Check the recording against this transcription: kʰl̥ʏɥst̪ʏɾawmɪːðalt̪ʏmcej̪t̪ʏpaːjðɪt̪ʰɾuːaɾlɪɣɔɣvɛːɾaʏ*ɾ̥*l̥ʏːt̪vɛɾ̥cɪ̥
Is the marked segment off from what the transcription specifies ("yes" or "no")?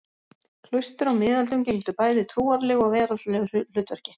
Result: yes